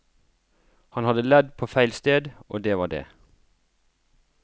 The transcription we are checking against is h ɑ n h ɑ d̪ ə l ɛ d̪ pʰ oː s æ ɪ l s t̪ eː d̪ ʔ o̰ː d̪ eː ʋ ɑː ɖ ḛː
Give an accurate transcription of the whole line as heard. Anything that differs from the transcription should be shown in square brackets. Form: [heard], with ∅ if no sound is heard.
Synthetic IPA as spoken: h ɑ n h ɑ d̪ ə l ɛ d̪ pʰ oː [f] æ ɪ l s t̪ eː d̪ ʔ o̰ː d̪ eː ʋ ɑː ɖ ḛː